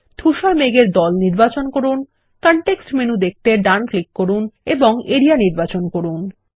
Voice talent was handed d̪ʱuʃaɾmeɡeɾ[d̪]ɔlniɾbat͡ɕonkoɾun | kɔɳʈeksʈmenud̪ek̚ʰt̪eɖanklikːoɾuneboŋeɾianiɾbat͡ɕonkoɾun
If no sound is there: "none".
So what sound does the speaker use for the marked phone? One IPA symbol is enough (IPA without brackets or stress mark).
d̪